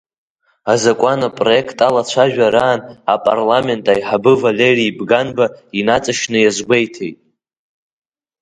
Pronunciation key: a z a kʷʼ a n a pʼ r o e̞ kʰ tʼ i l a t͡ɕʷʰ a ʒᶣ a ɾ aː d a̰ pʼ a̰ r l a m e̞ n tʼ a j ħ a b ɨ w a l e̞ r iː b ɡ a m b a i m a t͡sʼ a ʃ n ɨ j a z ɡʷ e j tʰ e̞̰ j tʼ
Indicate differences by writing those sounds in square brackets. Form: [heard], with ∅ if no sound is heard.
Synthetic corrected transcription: a z a kʷʼ a n a pʼ r o e̞ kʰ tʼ [a] l a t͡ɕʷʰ a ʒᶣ a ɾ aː [n] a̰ pʼ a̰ r l a m e̞ n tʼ a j ħ a b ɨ [v] a l e̞ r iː b ɡ a [n] b a i [n] a t͡sʼ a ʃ n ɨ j a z ɡʷ e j tʰ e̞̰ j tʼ